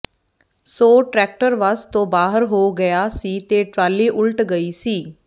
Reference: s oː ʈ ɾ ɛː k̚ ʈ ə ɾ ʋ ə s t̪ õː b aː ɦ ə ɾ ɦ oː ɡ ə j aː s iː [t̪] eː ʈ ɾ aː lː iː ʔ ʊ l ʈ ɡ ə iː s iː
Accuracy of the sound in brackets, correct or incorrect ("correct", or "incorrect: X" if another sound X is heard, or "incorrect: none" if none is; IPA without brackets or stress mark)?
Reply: correct